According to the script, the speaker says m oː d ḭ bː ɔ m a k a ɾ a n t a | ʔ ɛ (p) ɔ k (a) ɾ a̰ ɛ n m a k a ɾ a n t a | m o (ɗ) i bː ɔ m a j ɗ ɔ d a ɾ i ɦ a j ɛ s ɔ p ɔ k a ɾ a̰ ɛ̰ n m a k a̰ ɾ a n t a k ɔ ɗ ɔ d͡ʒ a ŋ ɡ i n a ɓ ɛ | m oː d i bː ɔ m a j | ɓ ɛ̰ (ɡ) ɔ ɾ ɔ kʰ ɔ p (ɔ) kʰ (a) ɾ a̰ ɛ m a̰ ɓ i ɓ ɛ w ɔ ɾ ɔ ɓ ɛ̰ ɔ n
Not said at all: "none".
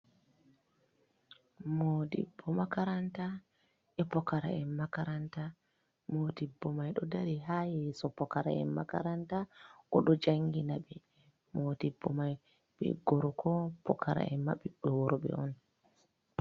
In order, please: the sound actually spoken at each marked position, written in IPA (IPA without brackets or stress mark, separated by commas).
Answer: p, a, d, ɡ, ɔ, a